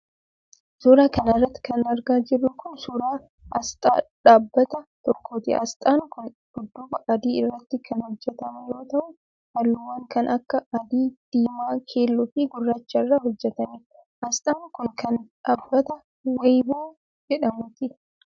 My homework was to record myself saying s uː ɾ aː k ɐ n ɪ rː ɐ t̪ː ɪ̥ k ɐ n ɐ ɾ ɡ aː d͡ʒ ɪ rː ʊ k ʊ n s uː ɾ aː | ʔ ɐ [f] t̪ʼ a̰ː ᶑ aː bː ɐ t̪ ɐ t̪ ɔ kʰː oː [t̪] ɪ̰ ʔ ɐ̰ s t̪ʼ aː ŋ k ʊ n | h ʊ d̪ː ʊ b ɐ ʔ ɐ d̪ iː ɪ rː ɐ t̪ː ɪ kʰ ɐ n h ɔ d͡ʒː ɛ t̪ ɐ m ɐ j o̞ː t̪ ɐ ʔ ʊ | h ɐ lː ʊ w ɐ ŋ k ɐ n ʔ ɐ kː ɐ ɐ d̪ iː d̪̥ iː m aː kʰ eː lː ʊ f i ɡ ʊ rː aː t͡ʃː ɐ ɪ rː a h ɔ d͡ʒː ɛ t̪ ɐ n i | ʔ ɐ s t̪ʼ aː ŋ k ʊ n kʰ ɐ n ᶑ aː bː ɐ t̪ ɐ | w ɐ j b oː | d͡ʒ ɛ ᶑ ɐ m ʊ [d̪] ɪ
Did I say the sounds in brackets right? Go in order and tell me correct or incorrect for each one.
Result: incorrect: s, correct, incorrect: t̪

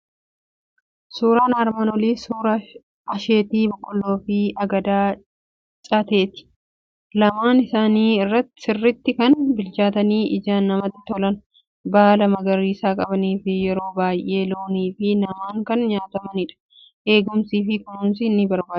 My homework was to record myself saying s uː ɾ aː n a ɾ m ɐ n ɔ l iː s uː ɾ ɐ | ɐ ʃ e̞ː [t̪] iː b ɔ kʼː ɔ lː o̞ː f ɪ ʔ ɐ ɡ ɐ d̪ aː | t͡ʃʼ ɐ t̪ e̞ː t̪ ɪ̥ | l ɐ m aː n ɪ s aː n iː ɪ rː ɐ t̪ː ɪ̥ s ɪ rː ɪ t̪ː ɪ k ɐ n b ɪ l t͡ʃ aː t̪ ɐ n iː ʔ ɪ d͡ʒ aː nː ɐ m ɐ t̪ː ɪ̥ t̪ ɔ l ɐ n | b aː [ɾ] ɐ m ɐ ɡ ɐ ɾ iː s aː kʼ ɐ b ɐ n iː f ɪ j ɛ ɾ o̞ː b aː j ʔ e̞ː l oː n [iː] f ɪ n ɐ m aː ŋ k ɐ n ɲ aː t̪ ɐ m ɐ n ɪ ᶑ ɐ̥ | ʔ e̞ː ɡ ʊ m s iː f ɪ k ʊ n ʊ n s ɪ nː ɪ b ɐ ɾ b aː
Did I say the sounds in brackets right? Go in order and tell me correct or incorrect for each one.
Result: correct, incorrect: l, correct

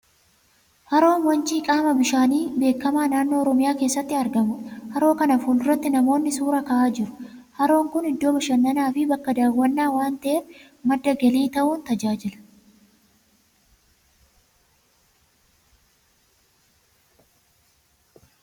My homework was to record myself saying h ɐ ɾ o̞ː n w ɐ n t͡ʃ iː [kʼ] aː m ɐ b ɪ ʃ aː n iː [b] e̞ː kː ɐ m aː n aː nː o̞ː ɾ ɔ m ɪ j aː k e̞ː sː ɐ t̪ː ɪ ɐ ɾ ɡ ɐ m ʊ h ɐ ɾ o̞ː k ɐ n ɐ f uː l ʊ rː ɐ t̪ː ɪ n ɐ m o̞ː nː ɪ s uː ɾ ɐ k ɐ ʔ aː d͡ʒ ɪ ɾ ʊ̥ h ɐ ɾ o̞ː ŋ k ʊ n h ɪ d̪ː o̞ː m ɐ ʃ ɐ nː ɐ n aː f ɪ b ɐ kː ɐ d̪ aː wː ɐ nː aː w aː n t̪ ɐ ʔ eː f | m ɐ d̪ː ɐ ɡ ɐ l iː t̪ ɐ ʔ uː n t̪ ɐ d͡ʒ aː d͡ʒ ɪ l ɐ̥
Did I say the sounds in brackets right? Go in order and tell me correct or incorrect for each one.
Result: correct, correct

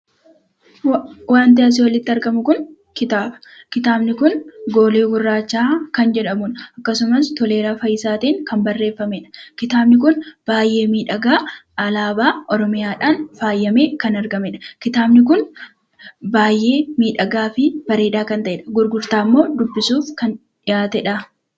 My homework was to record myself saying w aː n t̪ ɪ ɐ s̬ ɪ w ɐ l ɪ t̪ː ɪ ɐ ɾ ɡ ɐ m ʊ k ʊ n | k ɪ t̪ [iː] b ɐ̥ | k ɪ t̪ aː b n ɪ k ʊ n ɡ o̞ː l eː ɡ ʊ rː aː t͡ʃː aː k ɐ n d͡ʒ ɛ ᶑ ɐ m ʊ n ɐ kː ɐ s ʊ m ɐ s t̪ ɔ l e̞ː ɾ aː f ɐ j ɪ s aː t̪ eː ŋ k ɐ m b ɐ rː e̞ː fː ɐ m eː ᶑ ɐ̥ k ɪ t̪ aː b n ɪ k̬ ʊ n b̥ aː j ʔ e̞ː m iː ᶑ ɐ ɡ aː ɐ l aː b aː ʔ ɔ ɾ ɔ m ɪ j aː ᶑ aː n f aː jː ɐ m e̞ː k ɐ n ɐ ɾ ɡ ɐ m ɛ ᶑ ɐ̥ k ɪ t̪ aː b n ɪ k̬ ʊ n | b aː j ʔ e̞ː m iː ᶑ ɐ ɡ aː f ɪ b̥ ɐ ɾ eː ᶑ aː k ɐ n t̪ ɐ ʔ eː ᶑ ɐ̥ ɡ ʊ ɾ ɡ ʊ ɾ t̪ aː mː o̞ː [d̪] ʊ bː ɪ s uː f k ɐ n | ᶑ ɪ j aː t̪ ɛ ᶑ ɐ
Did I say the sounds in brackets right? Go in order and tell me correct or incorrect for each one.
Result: incorrect: aː, correct

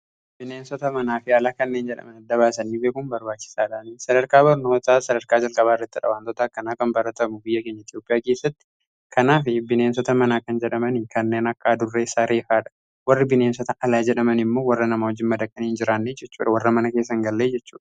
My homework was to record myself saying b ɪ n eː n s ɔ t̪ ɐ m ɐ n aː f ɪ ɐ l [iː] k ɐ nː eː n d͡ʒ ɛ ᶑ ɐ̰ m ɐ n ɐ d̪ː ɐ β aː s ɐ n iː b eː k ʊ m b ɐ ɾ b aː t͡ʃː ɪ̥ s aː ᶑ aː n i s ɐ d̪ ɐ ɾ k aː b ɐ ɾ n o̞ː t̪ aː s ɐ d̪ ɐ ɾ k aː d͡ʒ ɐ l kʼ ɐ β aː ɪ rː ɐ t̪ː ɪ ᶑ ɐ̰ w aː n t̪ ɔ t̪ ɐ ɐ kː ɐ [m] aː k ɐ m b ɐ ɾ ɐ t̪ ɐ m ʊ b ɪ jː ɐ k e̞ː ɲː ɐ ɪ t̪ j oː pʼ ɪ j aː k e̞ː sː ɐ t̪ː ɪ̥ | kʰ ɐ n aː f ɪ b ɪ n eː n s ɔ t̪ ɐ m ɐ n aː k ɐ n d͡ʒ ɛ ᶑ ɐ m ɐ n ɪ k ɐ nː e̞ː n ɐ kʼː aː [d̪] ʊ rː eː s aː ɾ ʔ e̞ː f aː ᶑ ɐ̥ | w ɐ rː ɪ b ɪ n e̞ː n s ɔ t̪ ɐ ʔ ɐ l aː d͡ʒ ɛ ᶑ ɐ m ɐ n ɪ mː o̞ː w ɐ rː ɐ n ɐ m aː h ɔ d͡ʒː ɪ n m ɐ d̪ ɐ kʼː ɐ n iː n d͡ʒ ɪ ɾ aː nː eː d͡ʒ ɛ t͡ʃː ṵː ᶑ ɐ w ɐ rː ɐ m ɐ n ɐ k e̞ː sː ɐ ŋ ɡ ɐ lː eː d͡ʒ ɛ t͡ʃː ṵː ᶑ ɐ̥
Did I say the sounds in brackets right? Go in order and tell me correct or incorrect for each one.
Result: incorrect: aː, incorrect: n, correct

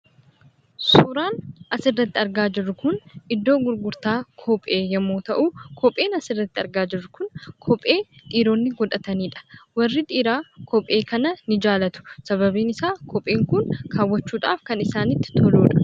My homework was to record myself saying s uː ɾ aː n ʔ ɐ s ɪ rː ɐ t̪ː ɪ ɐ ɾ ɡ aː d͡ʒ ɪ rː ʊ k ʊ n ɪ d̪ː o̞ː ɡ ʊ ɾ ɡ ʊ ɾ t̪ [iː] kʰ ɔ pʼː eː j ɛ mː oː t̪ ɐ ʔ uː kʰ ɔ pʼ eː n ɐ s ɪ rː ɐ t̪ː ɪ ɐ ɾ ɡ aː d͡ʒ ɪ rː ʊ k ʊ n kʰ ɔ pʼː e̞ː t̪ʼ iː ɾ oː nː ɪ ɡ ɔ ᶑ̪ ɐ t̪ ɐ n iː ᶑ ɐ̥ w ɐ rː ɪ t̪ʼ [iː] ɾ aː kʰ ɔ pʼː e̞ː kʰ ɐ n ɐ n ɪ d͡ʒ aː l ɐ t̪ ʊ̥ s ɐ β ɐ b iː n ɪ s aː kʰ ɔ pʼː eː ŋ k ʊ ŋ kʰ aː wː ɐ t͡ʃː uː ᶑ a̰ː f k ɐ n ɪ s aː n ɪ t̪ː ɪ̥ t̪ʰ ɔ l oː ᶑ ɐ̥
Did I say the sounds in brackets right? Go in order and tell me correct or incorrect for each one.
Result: incorrect: aː, correct

